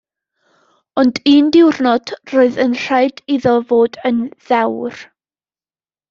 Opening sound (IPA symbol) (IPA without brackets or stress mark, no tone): ɔ